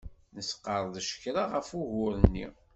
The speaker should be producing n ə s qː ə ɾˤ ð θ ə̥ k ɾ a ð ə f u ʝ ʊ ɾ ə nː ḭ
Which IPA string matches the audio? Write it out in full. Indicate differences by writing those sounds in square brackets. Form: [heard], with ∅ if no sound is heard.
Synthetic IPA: n ə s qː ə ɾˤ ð [ʃ] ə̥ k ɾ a [ʁ] ə f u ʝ ʊ ɾ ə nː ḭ

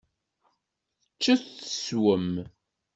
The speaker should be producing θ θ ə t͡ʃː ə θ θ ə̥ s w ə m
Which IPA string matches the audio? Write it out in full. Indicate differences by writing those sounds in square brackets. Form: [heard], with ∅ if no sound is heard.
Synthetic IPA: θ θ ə t͡ʃː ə θ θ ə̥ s w ə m

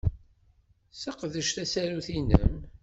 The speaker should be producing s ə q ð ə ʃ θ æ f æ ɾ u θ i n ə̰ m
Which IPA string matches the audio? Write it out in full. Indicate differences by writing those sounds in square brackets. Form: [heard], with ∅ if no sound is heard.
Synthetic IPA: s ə q ð ə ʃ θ æ [s] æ ɾ u θ i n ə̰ m

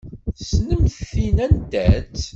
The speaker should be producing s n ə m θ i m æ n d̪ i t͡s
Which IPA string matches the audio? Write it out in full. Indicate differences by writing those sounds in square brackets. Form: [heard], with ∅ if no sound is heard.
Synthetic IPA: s n ə m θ i [n] æ n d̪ [æ] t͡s

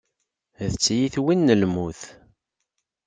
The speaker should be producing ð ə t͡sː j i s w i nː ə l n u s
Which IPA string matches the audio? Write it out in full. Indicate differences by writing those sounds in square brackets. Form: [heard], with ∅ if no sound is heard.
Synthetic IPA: ð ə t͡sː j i [θ] w i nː ə l [m] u [θ]

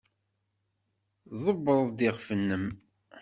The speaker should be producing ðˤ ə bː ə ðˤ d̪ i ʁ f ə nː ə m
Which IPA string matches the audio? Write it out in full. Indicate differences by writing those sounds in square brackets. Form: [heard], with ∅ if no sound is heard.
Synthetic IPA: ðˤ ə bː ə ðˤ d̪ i ʁ f ə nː ə m

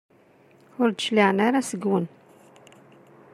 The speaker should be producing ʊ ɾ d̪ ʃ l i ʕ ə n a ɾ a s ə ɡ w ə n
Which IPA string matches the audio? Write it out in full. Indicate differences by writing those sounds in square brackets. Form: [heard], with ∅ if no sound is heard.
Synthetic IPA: ʊ ɾ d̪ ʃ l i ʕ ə n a ɾ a s ə ɡ w ə n

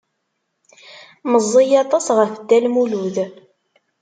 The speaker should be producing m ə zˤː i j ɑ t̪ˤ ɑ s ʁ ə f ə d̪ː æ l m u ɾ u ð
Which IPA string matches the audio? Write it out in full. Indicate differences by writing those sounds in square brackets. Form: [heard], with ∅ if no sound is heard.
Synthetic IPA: m ə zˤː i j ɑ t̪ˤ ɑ s ʁ ə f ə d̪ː æ l m u [l] u ð

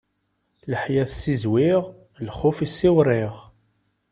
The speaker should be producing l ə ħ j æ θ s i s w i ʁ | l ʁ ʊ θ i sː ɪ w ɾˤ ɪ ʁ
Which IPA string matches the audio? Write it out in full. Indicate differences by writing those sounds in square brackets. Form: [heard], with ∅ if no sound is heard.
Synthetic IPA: l ə ħ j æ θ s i [z] w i ʁ | l [χ] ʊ [f] i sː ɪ w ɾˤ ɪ ʁ

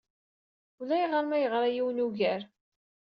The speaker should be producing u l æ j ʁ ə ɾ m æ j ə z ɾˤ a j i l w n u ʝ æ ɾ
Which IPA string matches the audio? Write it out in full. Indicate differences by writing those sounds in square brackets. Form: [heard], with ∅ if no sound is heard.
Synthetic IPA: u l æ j ʁ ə ɾ m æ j ə [ʁ] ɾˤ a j i [∅] w n u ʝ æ ɾ

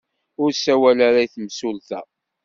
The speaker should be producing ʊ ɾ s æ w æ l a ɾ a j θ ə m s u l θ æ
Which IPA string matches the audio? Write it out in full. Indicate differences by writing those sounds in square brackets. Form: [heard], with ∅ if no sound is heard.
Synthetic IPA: ʊ ɾ s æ w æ l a ɾ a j θ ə m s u l θ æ

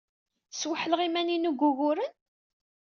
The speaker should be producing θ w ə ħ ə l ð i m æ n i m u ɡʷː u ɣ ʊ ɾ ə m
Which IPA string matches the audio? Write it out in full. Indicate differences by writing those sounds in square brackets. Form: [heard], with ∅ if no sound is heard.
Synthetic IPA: [s] w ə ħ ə l [ʁ] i m æ n i [n] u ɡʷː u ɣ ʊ ɾ ə [n]

